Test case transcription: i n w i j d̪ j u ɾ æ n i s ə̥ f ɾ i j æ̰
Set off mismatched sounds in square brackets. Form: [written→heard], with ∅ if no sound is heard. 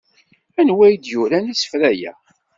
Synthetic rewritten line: [i→æ] n w [i→æ] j d̪ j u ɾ æ n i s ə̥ f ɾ [i→æ] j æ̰